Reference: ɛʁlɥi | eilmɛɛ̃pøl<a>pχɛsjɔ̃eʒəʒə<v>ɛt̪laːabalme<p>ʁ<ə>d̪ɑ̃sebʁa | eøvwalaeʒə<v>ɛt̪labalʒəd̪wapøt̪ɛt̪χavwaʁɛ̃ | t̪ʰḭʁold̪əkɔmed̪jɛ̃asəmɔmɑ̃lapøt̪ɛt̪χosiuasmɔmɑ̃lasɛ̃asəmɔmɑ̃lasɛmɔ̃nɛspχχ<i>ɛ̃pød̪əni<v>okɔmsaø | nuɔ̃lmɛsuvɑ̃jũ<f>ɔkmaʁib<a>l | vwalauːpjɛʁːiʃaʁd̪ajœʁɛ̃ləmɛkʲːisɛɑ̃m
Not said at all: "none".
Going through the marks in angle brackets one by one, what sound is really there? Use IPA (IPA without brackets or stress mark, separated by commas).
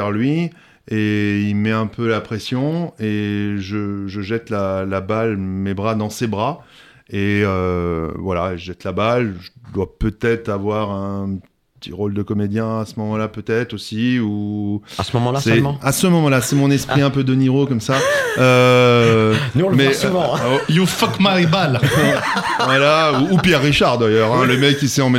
a, ʒ, b, a, ʒ, i, ʁ, f, a